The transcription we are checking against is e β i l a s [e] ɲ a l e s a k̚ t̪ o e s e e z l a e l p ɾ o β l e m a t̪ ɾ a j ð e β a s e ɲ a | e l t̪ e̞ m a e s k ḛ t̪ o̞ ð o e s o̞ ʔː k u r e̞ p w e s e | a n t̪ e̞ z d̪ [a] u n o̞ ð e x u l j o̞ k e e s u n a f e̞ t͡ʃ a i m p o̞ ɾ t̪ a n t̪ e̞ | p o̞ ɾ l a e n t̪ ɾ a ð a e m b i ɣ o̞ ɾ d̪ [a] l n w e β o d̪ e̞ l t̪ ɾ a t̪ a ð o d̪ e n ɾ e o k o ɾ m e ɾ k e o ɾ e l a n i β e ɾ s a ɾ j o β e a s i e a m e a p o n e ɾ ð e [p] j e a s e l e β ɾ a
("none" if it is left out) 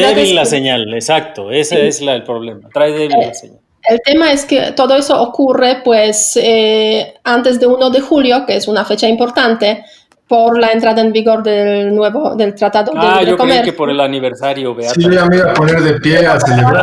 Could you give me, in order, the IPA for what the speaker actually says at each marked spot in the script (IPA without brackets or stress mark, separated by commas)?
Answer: e, e, e, p